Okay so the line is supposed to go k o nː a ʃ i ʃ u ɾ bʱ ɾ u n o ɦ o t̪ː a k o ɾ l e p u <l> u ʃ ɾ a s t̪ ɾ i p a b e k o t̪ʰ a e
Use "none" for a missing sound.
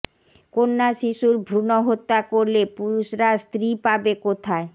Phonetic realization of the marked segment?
ɾ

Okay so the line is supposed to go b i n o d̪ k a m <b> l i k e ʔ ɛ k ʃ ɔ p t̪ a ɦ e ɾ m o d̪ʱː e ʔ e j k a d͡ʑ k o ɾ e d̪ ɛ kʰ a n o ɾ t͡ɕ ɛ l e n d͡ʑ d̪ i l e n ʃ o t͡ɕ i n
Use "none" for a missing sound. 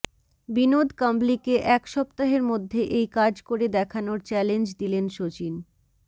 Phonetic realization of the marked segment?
b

